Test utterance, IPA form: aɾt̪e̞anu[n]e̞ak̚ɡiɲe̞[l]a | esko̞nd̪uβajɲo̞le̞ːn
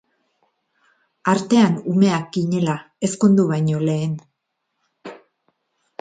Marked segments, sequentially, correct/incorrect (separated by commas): incorrect, correct